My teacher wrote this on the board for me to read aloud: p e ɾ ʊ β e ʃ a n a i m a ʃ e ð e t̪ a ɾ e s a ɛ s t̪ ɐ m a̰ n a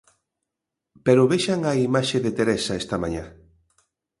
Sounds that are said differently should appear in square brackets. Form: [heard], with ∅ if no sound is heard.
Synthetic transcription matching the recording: p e ɾ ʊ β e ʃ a [ŋ] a i m a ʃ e ð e t̪ [e] ɾ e s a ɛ s t̪ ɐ m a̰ [ɲ] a